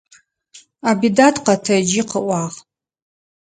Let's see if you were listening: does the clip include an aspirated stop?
yes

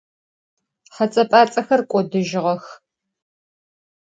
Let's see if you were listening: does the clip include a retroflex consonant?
no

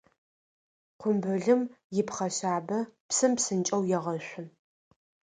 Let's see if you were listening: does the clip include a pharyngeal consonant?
no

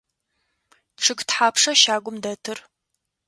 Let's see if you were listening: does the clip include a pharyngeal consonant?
yes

